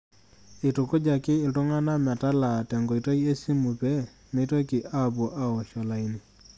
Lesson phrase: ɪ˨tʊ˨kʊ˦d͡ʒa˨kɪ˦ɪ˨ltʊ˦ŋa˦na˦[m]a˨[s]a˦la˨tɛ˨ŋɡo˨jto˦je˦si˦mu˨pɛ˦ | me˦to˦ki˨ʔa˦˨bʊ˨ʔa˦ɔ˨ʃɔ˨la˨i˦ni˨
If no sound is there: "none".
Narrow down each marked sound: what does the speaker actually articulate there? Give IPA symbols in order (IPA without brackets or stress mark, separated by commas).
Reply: m, t